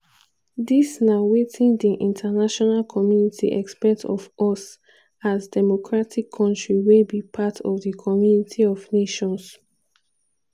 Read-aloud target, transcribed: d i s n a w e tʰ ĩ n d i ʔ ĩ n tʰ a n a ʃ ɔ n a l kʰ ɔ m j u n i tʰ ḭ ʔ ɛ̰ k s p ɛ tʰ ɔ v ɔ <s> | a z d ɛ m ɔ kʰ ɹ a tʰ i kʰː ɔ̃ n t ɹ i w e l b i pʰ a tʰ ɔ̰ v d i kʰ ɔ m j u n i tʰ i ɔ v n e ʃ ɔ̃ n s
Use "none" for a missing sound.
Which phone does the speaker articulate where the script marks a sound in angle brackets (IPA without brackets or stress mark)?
s